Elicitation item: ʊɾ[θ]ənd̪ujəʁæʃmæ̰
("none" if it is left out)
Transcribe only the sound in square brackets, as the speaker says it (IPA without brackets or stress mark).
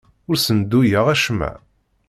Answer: s